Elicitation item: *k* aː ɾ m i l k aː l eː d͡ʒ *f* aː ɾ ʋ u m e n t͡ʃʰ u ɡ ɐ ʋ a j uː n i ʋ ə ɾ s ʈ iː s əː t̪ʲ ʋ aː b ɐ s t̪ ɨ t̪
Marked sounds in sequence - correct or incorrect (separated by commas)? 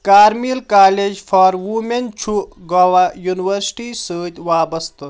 correct, correct